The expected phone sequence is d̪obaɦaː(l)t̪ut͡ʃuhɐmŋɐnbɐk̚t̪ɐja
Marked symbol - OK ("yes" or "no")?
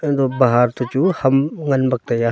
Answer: no